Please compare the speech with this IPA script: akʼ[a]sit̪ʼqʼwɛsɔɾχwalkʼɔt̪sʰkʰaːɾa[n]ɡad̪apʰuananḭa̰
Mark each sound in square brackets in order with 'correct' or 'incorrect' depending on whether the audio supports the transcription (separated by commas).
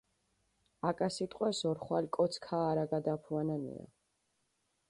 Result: correct, incorrect